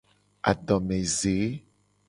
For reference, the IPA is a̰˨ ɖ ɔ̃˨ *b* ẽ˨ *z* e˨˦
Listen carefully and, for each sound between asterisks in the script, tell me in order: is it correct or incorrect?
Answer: incorrect, correct

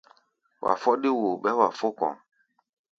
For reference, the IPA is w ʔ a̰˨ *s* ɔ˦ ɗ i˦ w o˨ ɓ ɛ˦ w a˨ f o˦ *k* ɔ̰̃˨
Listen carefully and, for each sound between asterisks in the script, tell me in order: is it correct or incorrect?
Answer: incorrect, correct

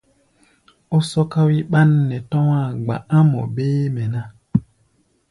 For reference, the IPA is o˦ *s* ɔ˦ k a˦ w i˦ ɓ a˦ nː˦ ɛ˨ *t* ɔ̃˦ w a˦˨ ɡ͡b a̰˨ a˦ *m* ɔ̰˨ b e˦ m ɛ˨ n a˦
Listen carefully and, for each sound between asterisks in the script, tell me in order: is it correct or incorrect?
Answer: correct, correct, correct

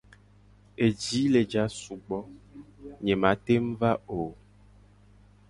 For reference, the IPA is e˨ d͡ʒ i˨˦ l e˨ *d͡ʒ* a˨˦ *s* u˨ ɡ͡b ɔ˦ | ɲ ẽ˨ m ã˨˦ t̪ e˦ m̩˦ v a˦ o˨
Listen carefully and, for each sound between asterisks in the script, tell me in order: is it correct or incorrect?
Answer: correct, correct

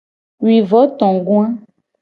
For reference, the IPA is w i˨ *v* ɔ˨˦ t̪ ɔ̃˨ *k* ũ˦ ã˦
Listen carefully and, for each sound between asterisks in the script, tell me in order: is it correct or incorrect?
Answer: correct, incorrect

